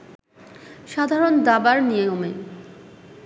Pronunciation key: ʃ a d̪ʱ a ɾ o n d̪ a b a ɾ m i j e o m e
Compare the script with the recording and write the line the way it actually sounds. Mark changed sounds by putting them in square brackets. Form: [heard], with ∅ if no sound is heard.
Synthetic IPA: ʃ a d̪ʱ a ɾ o n d̪ a b a ɾ [n] i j e o m e